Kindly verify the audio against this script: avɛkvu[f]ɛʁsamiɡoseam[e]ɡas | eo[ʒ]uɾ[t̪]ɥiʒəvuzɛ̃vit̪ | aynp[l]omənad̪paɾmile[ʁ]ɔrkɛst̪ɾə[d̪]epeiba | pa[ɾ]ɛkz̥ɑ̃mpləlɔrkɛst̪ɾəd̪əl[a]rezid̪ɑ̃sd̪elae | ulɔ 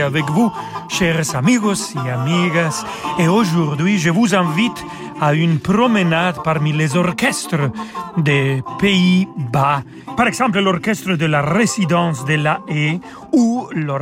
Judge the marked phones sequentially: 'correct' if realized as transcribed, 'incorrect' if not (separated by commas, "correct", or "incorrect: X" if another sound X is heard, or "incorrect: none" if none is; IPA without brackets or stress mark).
incorrect: ʃ, incorrect: i, correct, incorrect: d̪, incorrect: ɾ, incorrect: z, correct, correct, correct